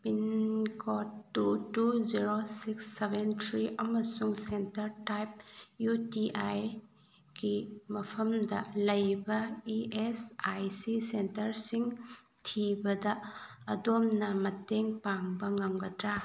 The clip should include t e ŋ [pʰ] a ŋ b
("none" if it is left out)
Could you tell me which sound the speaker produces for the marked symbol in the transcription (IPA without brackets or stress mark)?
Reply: p